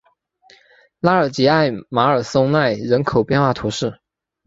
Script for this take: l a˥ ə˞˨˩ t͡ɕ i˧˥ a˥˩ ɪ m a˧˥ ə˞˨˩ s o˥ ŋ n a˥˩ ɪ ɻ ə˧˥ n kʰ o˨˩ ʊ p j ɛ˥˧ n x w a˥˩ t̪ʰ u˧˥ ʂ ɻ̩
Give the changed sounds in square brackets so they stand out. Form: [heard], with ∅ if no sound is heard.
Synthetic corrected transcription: l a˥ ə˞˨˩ t͡ɕ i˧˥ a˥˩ ɪ m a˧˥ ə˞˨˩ s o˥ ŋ n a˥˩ ɪ ɻ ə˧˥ n kʰ o˨˩ ʊ p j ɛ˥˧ n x w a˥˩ t̪ʰ u˧˥ ʂ ɻ̩